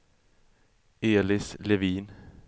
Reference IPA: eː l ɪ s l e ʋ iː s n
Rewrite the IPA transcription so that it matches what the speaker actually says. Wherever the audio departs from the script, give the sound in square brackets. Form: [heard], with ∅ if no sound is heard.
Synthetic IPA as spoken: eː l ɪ s l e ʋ iː [∅] n